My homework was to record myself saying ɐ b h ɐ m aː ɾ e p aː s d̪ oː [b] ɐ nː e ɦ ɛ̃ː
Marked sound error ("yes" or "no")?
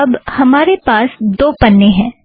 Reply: yes